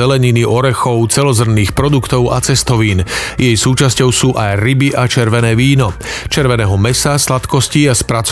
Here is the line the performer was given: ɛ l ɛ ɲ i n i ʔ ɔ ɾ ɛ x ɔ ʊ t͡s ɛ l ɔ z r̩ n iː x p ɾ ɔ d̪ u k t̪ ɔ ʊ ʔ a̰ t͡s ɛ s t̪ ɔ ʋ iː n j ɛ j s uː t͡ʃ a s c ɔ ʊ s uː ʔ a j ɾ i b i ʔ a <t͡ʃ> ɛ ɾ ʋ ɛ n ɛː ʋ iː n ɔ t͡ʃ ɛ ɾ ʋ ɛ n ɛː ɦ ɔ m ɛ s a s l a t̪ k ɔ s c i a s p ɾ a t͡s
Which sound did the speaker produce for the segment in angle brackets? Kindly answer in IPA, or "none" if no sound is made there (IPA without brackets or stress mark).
t͡ʃ